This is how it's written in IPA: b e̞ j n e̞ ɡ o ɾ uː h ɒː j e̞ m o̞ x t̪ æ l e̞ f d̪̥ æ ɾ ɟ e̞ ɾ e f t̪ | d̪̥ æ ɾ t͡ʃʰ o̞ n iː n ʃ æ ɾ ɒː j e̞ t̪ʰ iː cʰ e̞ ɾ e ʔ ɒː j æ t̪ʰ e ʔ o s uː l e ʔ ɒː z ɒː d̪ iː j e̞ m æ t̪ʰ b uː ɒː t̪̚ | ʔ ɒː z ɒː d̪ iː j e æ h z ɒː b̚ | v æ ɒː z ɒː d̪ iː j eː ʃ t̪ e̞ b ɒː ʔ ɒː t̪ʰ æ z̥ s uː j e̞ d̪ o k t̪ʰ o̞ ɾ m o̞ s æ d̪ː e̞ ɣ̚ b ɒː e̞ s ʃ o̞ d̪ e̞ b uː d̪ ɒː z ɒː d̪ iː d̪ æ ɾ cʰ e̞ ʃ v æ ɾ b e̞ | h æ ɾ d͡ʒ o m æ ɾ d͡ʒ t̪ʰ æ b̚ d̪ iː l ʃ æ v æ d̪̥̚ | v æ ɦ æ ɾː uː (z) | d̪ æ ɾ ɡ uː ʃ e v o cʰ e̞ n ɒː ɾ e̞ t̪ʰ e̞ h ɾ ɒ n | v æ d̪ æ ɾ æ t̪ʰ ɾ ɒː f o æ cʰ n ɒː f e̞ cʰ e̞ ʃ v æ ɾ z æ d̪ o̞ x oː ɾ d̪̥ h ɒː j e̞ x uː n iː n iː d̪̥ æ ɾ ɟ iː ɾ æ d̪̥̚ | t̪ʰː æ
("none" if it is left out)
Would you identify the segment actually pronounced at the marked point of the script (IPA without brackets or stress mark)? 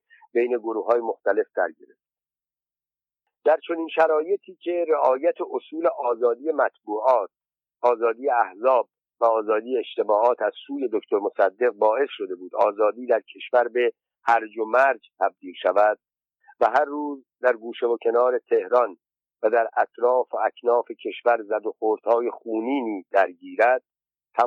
z